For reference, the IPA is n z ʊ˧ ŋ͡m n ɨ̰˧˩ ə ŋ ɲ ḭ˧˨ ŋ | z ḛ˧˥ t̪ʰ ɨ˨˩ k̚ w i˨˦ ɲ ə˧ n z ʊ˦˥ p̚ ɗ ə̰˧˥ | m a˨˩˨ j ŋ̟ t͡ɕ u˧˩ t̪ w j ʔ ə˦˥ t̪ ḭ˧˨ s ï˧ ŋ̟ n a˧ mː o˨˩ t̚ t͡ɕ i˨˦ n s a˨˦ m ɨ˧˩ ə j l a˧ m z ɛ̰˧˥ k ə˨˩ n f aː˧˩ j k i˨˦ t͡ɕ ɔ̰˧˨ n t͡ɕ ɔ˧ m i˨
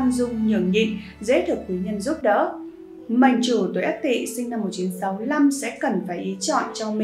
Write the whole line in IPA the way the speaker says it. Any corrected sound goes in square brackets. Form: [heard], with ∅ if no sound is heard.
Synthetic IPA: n z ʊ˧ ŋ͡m [ɲ] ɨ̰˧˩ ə ŋ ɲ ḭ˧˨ ŋ | z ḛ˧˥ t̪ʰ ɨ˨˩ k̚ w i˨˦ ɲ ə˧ n z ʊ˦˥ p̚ ɗ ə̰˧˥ | m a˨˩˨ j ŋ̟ t͡ɕ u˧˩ t̪ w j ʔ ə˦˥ t̪ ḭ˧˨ s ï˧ ŋ̟ n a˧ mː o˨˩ t̚ t͡ɕ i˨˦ n s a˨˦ m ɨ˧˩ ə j l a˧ m [s] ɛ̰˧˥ k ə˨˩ n f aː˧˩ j [ʔ] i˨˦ t͡ɕ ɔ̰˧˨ n t͡ɕ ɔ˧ m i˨